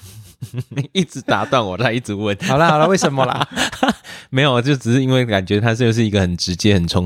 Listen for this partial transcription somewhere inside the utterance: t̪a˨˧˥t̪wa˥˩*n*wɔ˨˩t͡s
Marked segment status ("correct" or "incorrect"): correct